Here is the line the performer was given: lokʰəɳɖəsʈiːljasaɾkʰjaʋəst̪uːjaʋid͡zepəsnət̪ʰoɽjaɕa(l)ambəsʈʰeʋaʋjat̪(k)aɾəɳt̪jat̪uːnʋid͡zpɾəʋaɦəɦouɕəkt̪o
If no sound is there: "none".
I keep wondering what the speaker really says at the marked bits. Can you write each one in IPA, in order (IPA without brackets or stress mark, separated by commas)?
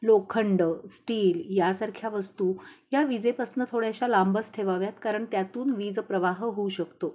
l, k